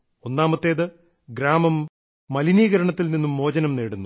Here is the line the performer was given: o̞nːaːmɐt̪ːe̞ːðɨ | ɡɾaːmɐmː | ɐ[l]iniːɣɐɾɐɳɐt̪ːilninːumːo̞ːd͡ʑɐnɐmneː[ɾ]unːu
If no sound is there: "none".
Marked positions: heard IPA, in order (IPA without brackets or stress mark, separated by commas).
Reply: l, ɽ